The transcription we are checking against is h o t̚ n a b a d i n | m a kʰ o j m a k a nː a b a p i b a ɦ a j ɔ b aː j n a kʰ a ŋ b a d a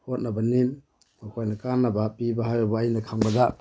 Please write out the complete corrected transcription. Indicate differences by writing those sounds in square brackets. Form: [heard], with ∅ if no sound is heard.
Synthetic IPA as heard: h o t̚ n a b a [n] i [m] | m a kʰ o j [n] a k a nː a b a p i b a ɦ a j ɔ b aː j n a kʰ a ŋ b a d a